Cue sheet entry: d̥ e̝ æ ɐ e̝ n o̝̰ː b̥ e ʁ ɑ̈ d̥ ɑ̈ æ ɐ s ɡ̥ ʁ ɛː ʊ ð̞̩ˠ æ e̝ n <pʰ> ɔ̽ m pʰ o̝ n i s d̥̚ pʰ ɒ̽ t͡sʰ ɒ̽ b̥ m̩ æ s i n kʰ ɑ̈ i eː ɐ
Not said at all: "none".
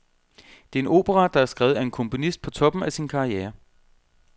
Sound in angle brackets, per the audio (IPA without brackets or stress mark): kʰ